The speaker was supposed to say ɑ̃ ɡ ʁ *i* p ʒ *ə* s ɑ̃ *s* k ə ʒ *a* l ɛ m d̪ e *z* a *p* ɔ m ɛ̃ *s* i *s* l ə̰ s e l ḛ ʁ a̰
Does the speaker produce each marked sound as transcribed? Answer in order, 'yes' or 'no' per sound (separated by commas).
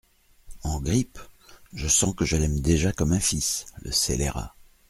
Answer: yes, yes, no, no, no, no, no, yes